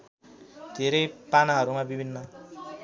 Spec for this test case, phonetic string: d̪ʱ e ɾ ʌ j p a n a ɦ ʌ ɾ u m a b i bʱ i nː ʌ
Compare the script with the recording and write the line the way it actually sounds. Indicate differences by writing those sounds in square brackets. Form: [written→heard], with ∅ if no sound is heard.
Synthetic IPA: d̪ʱ e ɾ ʌ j p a n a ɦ ʌ ɾ u m a b i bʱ i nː ʌ